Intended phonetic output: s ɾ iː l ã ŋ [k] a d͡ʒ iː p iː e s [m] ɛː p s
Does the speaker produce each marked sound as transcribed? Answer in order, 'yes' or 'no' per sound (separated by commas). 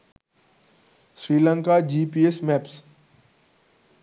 yes, yes